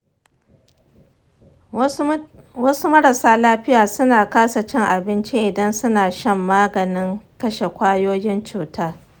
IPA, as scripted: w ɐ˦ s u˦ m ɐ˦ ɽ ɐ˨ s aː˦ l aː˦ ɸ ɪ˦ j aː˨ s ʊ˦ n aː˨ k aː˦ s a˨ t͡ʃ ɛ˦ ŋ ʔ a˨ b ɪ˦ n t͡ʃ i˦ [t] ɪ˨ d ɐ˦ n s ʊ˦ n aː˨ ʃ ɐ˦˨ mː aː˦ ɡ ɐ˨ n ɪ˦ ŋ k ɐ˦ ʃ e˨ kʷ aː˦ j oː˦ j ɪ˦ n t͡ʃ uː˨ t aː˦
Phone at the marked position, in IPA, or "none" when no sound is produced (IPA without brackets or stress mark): ʔ